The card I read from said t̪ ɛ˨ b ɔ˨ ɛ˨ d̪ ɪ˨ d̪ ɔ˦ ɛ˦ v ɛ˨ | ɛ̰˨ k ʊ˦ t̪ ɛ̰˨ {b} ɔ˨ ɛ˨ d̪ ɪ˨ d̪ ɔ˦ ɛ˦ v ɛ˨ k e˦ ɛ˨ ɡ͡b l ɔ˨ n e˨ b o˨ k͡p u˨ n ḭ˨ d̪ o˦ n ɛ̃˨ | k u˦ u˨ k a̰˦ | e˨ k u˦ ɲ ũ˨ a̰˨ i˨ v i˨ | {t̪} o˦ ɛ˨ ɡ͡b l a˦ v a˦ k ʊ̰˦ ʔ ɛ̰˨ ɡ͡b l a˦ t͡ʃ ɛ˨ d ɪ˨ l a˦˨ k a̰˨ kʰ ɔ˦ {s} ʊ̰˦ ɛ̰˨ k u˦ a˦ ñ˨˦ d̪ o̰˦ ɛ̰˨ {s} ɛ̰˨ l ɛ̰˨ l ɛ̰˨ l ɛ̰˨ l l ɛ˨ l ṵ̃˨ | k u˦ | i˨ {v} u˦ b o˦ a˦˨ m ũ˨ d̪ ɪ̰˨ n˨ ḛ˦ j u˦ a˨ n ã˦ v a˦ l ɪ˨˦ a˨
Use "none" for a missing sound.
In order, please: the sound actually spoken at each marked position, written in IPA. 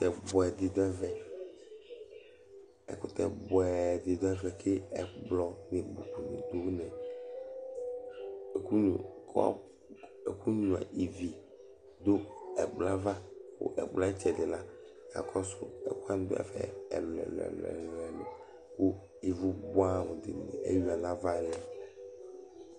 b, d̪, s, f, v

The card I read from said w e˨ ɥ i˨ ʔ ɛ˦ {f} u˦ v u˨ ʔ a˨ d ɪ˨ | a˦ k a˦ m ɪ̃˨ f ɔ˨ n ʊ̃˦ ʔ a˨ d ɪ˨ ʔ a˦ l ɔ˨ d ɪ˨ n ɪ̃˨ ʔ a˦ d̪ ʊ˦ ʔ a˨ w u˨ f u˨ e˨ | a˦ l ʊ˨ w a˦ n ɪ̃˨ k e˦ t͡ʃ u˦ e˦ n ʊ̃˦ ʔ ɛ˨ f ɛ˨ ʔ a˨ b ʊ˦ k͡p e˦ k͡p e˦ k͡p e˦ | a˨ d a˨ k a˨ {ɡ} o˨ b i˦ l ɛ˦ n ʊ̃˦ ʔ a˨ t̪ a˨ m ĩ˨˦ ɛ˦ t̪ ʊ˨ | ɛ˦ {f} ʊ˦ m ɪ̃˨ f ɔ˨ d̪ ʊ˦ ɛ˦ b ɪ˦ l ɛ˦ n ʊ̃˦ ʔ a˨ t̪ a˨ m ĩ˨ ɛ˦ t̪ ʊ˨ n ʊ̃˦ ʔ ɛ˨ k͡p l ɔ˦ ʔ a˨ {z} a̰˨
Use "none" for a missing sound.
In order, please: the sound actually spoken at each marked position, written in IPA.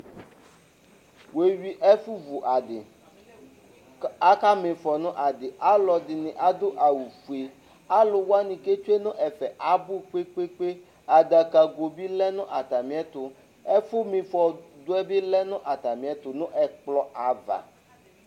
f, ɡ, f, v

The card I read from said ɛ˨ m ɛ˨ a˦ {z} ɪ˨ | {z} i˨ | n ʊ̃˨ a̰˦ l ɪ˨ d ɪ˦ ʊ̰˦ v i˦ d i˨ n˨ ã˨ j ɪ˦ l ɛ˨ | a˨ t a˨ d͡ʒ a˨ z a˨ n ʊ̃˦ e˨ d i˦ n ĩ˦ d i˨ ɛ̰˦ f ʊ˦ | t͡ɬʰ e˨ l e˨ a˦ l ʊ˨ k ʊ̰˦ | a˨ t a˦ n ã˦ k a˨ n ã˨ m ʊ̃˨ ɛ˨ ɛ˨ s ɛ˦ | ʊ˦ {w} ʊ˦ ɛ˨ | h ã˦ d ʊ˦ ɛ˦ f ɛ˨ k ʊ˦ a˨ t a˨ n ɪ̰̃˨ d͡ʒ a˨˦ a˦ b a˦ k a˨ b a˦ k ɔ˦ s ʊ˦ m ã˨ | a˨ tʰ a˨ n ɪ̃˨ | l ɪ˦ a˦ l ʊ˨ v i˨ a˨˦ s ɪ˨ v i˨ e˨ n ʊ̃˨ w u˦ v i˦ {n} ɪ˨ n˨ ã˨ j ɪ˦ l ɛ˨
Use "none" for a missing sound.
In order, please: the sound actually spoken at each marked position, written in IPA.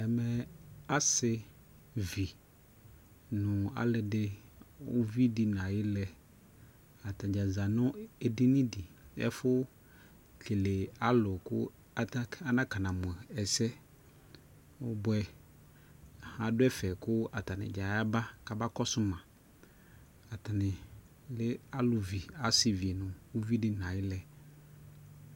s, v, b, d

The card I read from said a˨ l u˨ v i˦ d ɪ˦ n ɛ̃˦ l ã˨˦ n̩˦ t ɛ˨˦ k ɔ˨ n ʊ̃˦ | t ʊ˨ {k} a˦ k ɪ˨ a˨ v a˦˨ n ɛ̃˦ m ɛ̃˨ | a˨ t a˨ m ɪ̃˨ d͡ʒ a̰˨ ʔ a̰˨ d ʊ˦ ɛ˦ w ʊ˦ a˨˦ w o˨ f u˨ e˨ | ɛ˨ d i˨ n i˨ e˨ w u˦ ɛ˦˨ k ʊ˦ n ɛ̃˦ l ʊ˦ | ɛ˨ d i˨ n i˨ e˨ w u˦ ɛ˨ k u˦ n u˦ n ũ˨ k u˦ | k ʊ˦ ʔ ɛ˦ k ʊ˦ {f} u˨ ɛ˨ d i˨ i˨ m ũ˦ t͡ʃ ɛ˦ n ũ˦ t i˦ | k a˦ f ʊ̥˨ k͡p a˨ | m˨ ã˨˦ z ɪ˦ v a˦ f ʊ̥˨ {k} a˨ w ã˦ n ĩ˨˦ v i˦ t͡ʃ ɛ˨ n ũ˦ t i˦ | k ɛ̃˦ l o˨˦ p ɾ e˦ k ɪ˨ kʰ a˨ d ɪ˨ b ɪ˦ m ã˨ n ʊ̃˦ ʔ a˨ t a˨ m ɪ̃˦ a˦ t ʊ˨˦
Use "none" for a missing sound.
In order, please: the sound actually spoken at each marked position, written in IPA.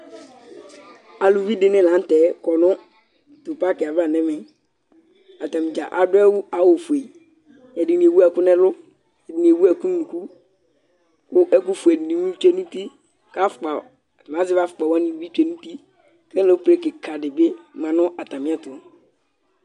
p, f, k͡p

